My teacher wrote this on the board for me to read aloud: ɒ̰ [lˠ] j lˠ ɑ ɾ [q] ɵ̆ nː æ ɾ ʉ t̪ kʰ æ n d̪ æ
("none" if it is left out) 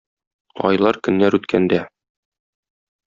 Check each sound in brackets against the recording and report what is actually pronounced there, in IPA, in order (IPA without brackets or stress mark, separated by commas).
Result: none, k